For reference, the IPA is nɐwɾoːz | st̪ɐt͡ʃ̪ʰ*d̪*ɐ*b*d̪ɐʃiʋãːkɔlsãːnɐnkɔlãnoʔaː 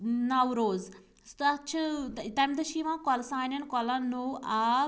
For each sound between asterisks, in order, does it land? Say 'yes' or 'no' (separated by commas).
no, no